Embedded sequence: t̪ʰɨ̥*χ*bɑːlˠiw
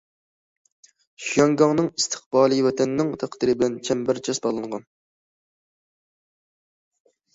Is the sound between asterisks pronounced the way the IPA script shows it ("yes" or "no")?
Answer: yes